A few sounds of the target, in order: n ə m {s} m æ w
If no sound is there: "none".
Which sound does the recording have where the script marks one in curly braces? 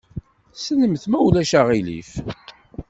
θ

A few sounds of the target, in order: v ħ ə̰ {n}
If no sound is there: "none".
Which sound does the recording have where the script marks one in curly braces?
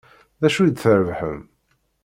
m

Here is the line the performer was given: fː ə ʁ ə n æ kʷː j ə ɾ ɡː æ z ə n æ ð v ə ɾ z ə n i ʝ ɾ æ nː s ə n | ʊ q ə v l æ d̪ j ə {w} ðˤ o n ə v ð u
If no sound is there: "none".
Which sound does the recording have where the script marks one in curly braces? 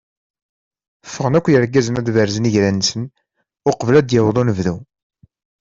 w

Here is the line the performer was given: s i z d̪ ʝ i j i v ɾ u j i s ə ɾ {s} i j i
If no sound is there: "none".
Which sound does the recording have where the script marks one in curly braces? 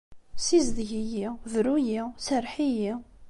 ħ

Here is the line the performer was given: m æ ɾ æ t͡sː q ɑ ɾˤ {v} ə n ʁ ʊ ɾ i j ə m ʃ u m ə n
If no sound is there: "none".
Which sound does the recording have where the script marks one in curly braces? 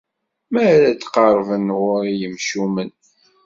v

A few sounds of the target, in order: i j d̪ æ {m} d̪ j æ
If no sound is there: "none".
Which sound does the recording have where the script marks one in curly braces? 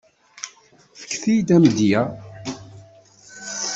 m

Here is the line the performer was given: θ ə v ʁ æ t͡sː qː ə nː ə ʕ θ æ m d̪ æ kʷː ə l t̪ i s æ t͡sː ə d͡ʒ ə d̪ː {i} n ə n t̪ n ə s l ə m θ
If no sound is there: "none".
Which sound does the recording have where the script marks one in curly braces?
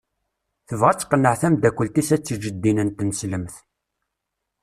i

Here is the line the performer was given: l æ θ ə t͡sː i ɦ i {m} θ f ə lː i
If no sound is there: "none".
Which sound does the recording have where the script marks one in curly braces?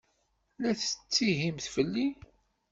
m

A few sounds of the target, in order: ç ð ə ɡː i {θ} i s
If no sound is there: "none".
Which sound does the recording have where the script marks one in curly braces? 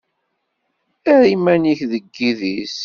ð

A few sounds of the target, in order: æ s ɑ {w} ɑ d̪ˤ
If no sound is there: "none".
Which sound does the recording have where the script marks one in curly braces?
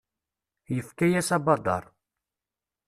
b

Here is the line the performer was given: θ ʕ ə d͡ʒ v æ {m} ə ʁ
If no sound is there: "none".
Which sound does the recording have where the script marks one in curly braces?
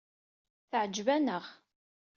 n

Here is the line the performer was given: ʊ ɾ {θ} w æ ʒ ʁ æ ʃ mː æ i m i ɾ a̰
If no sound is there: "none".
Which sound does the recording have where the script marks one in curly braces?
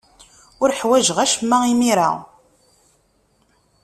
ħ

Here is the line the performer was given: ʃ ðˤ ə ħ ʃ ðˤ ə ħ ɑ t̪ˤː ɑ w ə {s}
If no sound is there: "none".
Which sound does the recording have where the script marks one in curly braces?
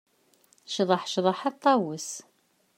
s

